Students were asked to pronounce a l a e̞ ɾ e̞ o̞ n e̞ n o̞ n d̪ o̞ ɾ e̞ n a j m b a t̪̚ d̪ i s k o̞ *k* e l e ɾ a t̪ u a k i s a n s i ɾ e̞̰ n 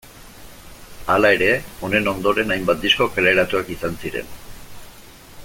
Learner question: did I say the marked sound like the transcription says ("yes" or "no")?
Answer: yes